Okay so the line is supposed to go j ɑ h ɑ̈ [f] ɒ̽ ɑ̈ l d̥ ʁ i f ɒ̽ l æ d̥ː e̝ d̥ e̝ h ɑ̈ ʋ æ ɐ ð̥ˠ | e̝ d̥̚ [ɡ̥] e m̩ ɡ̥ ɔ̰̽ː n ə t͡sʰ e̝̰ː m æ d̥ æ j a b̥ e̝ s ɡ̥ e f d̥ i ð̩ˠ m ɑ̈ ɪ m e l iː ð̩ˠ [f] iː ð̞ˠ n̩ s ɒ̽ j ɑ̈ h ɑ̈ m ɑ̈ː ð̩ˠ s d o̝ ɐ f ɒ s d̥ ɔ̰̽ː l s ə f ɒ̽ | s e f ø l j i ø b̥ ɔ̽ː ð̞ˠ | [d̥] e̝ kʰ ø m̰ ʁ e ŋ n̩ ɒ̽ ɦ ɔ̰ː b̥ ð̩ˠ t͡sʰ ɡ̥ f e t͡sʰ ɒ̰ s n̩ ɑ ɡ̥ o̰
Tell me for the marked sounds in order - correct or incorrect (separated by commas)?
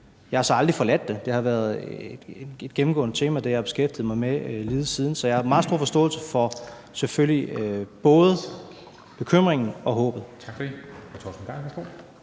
incorrect, correct, incorrect, incorrect